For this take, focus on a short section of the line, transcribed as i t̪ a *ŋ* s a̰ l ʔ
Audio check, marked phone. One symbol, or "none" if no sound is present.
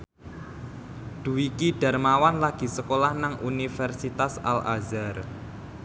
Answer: none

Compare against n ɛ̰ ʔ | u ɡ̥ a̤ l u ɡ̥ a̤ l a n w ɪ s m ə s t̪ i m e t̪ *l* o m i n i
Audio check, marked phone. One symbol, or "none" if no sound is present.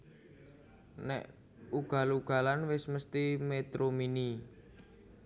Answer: ɾ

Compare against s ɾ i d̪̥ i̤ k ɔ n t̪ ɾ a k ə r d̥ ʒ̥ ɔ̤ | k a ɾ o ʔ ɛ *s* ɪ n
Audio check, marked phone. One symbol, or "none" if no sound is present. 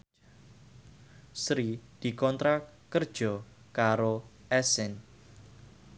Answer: s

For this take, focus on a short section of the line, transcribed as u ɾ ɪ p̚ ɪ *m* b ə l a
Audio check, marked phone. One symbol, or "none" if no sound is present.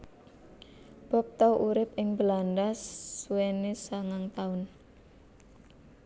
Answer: ŋ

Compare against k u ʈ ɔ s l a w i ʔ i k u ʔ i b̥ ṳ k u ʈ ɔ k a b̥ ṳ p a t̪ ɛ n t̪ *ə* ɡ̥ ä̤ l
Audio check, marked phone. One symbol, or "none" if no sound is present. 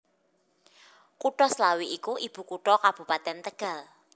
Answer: ə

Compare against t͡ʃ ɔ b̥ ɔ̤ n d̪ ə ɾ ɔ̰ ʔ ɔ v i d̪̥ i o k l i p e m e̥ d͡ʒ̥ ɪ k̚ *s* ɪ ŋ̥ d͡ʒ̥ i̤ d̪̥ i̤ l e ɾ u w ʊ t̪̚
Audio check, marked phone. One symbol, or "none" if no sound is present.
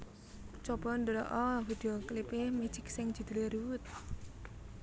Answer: s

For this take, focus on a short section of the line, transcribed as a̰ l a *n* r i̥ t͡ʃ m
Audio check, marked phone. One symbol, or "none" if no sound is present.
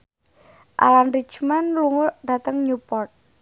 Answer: n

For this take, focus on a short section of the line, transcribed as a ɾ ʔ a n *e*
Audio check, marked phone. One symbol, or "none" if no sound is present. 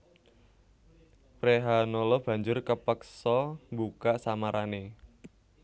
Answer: e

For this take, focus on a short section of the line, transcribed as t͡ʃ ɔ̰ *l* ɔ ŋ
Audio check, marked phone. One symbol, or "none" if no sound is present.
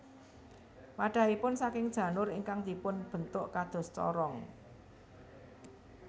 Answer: ɾ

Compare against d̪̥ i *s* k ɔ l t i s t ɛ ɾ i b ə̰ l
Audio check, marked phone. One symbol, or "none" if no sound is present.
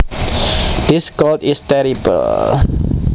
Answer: s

